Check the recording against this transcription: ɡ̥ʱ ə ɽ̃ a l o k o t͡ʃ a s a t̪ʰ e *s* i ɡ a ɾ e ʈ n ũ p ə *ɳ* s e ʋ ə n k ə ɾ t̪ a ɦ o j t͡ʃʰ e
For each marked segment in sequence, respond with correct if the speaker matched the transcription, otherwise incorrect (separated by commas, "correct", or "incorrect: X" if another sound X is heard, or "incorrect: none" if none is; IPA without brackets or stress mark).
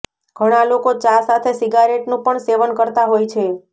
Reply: correct, correct